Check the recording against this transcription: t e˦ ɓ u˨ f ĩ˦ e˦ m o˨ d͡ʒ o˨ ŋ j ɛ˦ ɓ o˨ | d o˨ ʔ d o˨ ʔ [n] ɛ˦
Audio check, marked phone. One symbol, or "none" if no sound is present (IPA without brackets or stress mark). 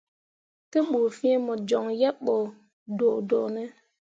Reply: n